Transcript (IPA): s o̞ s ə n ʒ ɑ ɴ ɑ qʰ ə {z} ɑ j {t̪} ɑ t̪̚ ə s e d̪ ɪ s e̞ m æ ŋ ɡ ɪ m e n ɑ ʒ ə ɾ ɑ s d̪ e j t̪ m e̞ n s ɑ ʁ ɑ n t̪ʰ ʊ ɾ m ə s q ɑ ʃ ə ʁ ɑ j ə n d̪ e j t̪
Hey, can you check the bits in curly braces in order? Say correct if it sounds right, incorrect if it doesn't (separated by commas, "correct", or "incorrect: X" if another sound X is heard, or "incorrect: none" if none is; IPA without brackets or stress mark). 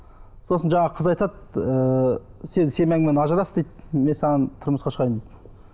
correct, correct